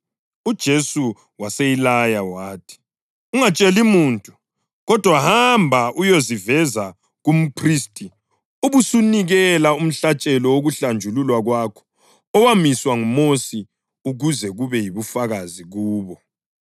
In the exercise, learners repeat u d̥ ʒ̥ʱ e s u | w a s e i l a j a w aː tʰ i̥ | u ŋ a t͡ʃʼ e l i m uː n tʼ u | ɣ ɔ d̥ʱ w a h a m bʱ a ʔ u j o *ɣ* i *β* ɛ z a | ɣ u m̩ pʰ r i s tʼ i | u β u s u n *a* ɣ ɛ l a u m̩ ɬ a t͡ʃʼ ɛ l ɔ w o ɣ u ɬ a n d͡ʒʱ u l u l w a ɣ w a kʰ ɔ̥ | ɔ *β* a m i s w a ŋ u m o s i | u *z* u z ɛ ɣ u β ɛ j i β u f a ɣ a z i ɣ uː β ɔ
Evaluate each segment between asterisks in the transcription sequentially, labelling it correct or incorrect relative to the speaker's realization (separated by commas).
incorrect, incorrect, incorrect, incorrect, incorrect